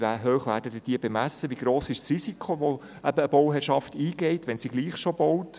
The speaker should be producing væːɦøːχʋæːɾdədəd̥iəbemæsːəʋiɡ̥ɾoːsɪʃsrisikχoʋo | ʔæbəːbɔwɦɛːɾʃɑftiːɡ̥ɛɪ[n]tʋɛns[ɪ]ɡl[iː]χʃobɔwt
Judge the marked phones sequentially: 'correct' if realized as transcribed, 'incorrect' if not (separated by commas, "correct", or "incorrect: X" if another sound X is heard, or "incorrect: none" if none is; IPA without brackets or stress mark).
incorrect: none, incorrect: i, correct